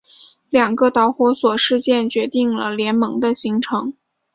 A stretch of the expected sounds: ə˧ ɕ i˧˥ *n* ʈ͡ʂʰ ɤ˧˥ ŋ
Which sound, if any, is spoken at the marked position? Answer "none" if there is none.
ŋ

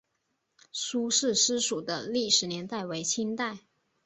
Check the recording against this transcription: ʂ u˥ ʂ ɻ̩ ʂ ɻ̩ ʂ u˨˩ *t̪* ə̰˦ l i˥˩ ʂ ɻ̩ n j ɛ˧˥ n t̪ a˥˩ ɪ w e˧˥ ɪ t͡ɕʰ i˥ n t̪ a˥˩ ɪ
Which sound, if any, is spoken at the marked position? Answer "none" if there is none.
d̪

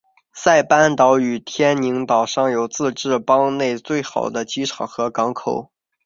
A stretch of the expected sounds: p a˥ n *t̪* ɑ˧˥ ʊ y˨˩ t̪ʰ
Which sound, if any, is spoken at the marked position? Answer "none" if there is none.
t̪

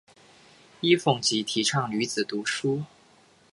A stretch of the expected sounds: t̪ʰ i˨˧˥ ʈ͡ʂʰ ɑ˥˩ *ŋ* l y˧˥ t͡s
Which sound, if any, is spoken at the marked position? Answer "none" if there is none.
ŋ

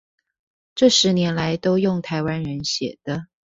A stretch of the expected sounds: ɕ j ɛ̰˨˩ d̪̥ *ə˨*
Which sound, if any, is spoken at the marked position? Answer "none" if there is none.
ə˦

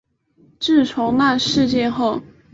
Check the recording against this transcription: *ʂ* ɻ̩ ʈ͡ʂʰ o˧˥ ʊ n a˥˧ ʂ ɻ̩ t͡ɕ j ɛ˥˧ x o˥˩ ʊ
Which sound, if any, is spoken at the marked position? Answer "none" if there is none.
ʈ͡ʂ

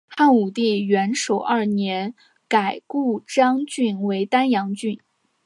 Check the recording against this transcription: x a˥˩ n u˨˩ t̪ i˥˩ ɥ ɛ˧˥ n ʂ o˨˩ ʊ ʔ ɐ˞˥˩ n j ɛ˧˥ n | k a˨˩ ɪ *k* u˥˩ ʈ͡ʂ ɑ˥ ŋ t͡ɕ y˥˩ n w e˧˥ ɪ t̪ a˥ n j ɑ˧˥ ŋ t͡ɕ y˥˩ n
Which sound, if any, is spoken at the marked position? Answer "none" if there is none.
k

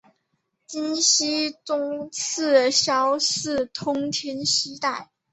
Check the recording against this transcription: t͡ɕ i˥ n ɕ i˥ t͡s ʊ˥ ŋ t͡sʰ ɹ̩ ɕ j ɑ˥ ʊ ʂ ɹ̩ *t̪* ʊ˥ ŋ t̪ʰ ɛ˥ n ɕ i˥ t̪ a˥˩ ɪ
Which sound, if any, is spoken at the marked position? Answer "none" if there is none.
t̪ʰ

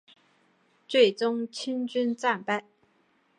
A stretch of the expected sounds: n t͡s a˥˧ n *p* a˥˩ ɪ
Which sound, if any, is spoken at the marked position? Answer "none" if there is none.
p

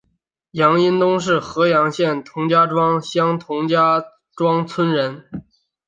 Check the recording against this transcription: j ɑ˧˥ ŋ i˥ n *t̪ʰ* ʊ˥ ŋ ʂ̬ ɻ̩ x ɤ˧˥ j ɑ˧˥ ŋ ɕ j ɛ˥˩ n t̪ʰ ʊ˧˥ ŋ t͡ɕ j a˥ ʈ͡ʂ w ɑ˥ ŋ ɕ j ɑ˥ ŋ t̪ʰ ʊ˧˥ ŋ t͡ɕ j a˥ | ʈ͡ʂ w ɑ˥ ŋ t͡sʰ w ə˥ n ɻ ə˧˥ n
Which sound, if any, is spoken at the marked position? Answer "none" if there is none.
t̪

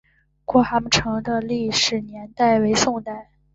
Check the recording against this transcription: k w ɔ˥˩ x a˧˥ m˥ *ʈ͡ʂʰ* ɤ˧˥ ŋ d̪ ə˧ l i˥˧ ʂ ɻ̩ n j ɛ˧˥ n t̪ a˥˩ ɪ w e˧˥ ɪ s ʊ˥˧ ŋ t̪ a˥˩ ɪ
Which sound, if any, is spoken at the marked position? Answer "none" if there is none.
ʈ͡ʂʰ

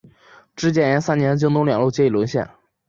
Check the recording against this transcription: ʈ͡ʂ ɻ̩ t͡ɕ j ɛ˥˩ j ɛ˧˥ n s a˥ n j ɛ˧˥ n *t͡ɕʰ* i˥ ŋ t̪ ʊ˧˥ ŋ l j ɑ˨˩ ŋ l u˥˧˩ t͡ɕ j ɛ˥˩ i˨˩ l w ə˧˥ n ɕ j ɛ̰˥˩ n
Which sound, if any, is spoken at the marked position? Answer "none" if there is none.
t͡ɕ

